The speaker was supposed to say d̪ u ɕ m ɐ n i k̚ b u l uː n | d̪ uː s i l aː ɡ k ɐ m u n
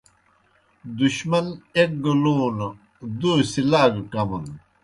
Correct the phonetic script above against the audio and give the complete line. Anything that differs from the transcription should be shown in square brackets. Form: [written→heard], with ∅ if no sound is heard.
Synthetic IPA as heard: d̪ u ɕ m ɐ n [i→e] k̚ [b→ɡ] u l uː n | d̪ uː s i l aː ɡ k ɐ m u n